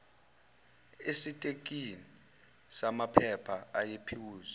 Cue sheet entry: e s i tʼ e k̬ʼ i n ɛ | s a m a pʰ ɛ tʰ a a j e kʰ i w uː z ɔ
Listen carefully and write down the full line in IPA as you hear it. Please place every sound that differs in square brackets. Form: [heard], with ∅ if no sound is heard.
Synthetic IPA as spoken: e s i tʼ e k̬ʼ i n [i] | s a m a pʰ ɛ [pʰ] a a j e [pʰ] i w uː z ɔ